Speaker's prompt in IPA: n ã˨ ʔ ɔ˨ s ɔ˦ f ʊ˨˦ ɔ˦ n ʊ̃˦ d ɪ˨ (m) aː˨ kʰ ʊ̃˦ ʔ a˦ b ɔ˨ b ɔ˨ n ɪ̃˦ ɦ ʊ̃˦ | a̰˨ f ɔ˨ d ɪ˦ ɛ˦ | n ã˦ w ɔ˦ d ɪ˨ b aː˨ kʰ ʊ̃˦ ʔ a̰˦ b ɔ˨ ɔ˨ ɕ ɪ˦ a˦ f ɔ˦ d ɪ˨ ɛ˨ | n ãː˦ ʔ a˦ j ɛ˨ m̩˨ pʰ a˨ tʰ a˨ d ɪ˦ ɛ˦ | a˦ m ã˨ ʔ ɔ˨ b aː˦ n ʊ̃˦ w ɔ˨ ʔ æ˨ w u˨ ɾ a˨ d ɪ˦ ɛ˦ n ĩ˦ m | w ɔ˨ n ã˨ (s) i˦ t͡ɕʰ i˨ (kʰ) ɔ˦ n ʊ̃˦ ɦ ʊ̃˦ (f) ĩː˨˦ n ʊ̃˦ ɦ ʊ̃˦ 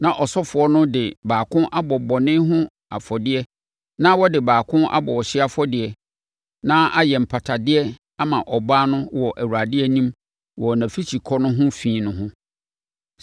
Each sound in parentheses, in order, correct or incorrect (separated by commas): incorrect, incorrect, correct, correct